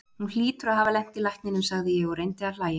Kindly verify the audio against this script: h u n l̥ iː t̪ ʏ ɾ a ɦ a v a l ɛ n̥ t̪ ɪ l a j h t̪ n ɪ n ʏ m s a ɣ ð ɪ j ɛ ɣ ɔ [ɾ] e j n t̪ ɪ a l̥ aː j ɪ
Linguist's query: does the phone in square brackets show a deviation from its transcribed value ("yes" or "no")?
no